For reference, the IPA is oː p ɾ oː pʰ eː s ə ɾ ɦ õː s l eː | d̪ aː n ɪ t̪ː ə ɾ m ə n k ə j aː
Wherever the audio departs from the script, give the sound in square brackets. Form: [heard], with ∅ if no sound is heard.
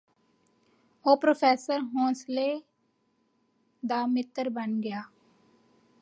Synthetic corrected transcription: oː p ɾ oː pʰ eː s ə ɾ ɦ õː s l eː | d̪ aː [m] ɪ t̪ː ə ɾ [b] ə n [ɡ] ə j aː

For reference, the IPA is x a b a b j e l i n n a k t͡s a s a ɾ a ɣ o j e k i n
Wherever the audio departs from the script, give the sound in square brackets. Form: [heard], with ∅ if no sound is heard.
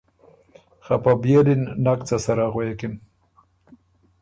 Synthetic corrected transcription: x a [p] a b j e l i n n a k t͡s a s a ɾ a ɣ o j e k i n

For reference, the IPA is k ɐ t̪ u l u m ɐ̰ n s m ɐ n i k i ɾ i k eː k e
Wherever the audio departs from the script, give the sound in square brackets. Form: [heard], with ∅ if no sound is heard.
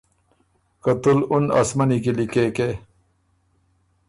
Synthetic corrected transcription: k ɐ t̪ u l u [n] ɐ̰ [∅] s m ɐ n i k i [l] i k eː k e

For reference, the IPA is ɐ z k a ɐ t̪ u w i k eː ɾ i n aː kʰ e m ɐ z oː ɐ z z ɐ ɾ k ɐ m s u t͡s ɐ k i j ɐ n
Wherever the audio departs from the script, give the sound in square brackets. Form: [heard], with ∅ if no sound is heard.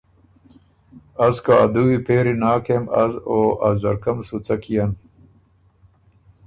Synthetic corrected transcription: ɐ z k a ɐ [d̪] u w i [p] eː ɾ i n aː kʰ e m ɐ z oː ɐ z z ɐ ɾ k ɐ m s u t͡s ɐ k i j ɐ n

